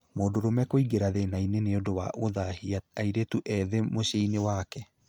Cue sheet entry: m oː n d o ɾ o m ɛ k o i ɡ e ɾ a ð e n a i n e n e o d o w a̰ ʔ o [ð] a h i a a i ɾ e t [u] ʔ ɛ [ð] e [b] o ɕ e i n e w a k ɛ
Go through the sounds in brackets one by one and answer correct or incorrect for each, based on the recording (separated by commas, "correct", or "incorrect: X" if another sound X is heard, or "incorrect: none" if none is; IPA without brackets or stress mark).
correct, correct, correct, incorrect: m